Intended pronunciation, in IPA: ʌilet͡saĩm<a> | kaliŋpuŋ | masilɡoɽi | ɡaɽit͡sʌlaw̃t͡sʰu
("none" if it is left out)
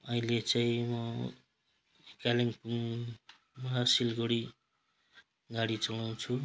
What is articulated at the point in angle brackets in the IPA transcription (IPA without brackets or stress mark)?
ʌ